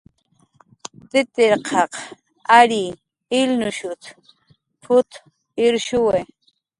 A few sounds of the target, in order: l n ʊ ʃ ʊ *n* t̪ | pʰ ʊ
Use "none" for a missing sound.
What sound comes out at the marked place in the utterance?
none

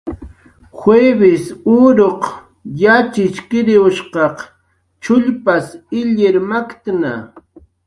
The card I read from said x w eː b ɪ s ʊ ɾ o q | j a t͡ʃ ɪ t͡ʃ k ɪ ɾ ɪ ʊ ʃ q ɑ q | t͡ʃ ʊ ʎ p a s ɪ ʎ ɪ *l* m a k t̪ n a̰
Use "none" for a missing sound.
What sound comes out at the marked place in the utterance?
ɾ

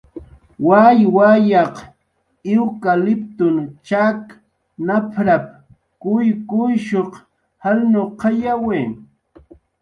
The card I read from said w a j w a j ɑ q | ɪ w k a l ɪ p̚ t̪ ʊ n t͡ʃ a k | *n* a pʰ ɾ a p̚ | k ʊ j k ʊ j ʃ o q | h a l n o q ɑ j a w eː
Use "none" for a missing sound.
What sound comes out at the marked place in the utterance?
n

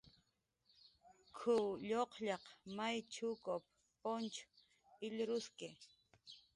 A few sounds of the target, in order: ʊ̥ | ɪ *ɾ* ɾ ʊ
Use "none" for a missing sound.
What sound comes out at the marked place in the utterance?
ʎ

